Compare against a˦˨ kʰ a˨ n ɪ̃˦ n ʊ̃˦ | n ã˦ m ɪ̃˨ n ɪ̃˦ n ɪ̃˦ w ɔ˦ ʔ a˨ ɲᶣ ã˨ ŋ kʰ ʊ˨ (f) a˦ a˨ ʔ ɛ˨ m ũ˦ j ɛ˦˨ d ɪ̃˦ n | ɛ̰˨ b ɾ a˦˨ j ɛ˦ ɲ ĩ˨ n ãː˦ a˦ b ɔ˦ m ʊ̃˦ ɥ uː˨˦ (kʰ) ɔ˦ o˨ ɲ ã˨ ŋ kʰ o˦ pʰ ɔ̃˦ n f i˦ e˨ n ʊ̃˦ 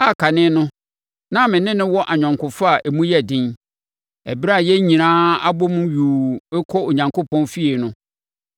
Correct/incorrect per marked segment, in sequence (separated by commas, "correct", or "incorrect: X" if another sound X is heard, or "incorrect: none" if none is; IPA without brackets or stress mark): correct, correct